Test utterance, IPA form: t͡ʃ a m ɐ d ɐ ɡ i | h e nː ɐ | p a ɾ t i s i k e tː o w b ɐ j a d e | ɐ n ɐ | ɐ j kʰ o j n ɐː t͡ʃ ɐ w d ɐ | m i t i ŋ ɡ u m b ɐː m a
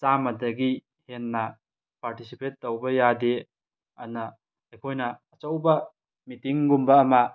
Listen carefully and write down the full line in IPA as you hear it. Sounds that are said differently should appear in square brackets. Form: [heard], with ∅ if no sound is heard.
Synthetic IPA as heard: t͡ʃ a m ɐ d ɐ ɡ i | h e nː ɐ | p a ɾ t i s i [p] e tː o w b ɐ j a d e | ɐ n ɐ | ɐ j kʰ o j n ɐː t͡ʃ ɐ w [b] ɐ | m i t i ŋ ɡ u m b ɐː m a